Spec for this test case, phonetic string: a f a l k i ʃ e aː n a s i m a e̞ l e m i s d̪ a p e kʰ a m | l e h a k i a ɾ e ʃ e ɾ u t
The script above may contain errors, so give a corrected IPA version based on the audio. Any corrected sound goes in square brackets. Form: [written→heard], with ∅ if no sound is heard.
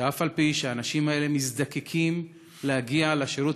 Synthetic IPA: a f a l [k→p] i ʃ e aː n a [s→ʃ] i m a e̞ l e m i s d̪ a [p→k] e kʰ [a→i] m | l e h a [k→ɡ] i a [ɾ→l] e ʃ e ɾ u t

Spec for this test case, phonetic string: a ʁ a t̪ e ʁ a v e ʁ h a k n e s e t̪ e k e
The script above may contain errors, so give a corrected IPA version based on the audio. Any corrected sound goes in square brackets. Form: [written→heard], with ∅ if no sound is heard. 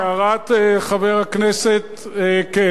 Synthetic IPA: a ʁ a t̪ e [ʁ→χ] a v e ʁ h a k n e s e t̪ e k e

